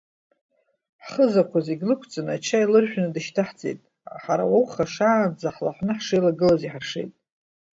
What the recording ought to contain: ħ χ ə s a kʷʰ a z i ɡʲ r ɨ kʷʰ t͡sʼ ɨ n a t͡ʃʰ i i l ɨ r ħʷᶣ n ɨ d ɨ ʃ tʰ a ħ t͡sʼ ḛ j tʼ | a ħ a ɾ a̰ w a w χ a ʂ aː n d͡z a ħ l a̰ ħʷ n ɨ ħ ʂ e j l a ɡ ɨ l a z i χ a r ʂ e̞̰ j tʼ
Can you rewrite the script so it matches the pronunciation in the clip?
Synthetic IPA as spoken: ħ χ ə z a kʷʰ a z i ɡʲ l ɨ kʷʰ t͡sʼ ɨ n a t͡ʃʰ a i l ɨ r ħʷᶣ n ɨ d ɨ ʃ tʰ a ħ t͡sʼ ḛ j tʼ | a ħ a ɾ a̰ w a w χ a ʂ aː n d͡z a ħ l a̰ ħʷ n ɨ ħ ʂ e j l a ɡ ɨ l a z i ħ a r ʂ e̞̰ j tʼ